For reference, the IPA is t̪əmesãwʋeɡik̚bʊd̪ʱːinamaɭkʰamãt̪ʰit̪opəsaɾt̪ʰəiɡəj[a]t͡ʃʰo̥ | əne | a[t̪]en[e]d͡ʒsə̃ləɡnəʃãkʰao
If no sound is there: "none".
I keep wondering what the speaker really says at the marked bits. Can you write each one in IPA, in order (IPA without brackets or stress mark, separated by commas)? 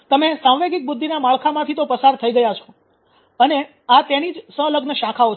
a, t̪, i